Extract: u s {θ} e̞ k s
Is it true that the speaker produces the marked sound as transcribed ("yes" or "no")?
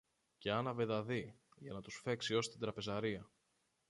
no